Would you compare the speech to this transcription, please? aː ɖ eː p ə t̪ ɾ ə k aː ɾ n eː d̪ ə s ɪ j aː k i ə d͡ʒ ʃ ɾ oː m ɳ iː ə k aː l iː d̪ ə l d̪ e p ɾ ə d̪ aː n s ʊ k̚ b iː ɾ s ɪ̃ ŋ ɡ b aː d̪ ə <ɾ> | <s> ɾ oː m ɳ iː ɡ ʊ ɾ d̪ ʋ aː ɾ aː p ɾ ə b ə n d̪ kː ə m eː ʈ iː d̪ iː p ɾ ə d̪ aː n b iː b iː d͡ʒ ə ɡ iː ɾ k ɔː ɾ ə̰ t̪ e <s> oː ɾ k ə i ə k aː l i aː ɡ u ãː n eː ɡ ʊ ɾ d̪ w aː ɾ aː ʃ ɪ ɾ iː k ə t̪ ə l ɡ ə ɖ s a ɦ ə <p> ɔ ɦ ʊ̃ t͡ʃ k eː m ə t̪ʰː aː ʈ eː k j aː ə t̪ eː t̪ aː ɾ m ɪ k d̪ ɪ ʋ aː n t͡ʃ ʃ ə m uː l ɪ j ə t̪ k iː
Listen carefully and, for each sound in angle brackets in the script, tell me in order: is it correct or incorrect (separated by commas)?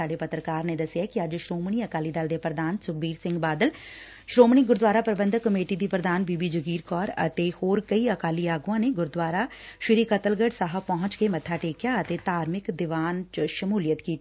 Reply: incorrect, incorrect, incorrect, correct